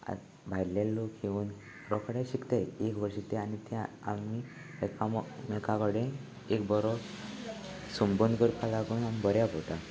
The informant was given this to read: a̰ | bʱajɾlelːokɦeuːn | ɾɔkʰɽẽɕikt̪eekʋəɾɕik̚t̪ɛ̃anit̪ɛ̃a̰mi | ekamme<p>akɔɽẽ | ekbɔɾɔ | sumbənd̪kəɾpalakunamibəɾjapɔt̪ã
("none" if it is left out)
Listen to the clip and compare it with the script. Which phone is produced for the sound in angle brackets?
k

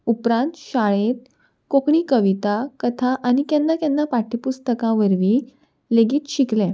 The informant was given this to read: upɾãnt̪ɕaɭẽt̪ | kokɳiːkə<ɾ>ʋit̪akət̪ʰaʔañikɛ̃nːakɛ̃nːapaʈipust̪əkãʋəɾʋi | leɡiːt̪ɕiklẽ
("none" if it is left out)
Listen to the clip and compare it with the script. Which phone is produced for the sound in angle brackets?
none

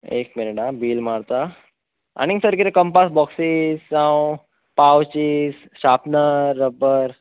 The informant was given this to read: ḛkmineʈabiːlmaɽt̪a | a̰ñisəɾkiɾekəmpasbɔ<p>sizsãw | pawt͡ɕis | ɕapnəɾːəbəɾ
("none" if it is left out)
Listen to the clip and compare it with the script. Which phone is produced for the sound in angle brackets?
k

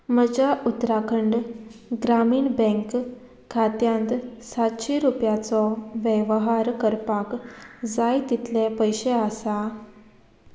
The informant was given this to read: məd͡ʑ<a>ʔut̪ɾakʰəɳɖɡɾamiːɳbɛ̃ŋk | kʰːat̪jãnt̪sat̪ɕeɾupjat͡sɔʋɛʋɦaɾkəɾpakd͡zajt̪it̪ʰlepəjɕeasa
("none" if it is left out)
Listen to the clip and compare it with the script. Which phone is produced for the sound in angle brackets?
a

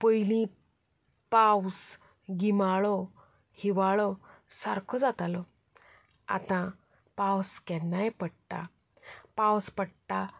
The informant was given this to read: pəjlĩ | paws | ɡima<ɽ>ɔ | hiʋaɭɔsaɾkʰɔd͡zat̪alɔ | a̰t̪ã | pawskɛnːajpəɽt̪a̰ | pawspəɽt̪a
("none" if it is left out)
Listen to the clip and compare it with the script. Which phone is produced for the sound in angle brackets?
ɭ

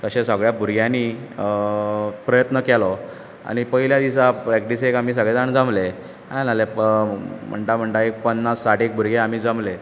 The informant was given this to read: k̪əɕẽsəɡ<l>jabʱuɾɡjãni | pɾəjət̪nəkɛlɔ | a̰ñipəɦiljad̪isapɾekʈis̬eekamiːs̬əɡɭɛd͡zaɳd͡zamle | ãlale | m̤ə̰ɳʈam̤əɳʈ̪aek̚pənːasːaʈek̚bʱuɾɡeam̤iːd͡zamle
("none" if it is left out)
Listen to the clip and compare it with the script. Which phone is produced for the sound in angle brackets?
ɭ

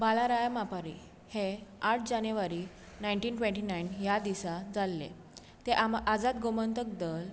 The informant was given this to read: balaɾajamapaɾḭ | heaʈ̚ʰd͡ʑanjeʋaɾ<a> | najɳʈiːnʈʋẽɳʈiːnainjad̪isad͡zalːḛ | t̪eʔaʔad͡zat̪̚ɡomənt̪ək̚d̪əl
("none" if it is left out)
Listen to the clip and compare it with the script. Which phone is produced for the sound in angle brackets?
i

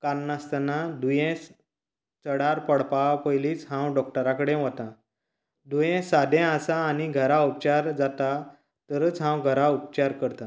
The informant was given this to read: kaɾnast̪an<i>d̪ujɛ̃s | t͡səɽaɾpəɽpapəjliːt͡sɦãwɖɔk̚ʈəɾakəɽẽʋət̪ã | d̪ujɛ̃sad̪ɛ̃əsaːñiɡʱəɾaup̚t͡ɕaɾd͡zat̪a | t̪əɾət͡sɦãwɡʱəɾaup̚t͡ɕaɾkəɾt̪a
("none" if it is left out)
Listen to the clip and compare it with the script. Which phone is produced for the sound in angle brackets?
a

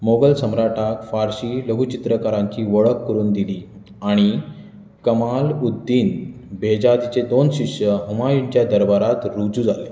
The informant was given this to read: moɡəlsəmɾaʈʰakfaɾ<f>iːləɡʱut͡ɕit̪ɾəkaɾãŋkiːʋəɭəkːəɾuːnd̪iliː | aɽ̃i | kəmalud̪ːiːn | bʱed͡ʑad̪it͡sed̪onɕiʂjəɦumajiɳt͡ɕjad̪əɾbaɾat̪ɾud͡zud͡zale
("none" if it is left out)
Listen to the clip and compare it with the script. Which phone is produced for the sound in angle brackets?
ɕ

